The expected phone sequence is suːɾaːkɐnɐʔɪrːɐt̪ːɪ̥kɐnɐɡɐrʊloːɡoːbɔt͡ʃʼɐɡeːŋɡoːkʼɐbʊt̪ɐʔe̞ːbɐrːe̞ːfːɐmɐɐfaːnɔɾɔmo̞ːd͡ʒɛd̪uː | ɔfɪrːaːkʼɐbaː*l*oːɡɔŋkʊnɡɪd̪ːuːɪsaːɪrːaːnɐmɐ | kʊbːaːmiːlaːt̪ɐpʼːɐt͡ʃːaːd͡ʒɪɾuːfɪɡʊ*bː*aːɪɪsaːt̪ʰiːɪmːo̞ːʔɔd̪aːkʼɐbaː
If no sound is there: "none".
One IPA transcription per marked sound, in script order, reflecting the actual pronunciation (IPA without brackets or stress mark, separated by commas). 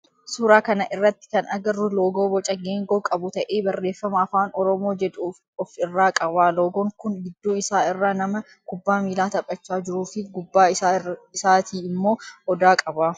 l, bː